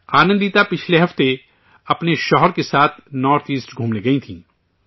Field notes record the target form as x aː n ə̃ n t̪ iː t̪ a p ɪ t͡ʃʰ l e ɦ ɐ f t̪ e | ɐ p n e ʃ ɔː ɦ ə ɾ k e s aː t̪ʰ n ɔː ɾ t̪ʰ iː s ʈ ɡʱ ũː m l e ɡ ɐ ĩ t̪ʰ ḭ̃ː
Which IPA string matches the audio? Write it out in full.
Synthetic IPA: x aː n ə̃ n d̪ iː t̪ a p ɪ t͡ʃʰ l e ɦ ɐ f t̪ e | ɐ p n e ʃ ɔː ɦ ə ɾ k e s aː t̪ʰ n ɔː ɾ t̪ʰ iː s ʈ ɡʱ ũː m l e ɡ ɐ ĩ t̪ʰ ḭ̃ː